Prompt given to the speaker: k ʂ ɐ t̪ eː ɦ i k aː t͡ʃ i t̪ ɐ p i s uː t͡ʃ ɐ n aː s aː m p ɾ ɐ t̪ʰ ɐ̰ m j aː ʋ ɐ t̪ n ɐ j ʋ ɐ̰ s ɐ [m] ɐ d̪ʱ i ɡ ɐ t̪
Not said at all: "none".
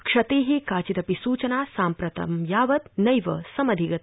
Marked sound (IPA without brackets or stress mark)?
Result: m